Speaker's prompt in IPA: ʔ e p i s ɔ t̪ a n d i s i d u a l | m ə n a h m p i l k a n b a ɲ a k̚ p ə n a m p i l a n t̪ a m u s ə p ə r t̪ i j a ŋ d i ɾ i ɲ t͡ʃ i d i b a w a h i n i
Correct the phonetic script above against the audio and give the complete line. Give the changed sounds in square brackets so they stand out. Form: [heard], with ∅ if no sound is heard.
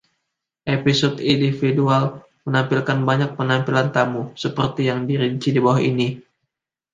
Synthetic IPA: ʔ e p i s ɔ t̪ [i] n d i [f] i d u a l | m ə n a [∅] m p i l k a n b a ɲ a k̚ p ə n a m p i l a n t̪ a m u s ə p ə r t̪ i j a ŋ d i ɾ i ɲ t͡ʃ i d i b a w a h i n i